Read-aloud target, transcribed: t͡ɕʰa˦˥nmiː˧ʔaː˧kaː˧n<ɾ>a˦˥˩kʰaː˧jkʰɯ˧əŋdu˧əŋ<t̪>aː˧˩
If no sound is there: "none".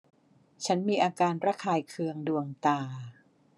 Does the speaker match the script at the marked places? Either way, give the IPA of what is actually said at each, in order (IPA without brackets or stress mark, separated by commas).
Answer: ɾ, t̪